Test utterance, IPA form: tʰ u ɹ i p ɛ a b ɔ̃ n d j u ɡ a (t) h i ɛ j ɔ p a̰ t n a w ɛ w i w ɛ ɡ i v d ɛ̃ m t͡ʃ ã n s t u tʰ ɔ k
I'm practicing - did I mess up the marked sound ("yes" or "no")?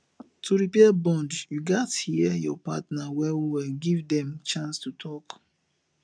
no